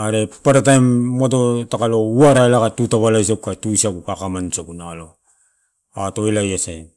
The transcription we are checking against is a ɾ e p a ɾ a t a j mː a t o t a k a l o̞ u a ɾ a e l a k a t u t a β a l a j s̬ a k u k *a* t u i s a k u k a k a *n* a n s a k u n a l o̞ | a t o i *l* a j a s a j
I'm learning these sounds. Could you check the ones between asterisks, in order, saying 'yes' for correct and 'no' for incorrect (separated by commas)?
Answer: yes, no, yes